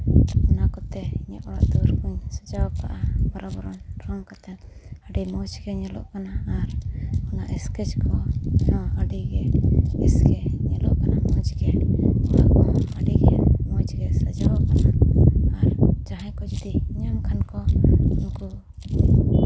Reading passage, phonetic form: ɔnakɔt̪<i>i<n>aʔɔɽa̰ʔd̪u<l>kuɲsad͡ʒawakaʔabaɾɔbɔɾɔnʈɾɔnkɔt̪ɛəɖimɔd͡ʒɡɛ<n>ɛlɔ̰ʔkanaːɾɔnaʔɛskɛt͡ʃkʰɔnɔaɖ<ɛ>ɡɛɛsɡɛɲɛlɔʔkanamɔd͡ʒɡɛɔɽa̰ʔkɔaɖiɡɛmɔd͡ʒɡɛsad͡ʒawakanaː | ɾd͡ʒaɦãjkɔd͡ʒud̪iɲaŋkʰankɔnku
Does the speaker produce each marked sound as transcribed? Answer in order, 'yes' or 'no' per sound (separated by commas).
no, no, no, no, no